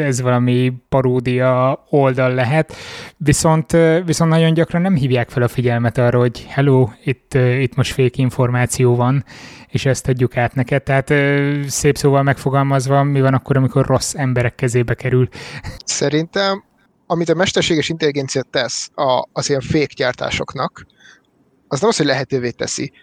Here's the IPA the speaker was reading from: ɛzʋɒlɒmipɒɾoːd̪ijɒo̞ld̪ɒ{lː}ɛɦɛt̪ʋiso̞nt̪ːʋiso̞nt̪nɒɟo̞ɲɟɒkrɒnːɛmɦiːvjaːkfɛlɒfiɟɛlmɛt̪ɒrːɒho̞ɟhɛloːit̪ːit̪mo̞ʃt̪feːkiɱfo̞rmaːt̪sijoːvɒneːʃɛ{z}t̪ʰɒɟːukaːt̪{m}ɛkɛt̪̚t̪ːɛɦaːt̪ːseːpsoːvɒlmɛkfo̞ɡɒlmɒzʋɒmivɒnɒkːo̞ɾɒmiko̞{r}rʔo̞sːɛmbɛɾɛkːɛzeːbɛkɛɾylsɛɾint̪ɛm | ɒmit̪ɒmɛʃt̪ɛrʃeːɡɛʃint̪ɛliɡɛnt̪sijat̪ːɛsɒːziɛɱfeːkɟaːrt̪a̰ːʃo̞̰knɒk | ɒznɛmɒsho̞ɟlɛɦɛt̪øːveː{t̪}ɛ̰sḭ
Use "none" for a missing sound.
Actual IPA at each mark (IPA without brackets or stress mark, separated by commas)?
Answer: lː, s, n, r, t̪